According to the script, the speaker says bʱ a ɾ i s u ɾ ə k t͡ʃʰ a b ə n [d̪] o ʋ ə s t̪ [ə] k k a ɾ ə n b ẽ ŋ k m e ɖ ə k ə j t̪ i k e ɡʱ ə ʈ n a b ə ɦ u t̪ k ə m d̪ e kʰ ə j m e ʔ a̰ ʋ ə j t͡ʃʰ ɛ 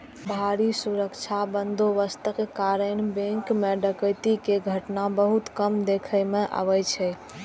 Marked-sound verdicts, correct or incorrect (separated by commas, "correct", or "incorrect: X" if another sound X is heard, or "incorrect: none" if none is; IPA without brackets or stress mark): correct, correct